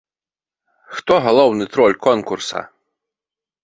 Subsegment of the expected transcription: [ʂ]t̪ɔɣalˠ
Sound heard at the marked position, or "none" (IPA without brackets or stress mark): x